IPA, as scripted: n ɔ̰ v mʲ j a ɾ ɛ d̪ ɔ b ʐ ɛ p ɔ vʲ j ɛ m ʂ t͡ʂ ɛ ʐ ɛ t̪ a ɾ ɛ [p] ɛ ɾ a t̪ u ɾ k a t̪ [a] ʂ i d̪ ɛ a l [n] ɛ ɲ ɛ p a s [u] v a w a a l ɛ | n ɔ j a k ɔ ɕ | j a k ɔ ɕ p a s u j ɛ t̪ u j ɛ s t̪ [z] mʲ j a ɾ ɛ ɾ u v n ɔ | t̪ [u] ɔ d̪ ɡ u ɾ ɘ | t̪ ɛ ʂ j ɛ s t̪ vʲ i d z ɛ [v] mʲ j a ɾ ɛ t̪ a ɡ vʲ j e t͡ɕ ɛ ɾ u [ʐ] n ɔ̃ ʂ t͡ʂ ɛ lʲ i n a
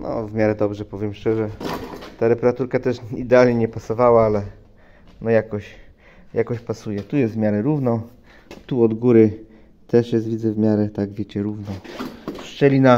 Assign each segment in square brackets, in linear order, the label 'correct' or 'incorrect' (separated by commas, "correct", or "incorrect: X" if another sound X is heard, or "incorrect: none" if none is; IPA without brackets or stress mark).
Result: correct, incorrect: ɛ, incorrect: ɲ, incorrect: ɔ, incorrect: v, correct, correct, incorrect: v